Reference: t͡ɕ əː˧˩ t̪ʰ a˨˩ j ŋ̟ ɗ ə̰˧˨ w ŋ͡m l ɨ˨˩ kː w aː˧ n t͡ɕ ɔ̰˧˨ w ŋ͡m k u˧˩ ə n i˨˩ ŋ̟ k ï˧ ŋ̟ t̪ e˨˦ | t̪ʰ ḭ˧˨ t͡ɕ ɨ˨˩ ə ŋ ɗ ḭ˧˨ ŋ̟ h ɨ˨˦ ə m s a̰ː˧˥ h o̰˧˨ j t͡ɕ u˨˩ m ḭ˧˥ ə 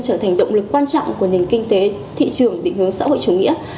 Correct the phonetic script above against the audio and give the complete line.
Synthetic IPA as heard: t͡ɕ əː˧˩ t̪ʰ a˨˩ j ŋ̟ ɗ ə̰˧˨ w ŋ͡m l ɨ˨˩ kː w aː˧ n t͡ɕ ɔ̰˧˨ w ŋ͡m k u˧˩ ə n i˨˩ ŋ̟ k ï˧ ŋ̟ t̪ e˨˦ | t̪ʰ ḭ˧˨ t͡ɕ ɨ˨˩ ə ŋ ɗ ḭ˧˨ ŋ̟ h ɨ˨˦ ə ŋ s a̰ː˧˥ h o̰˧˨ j t͡ɕ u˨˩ ŋ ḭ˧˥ ə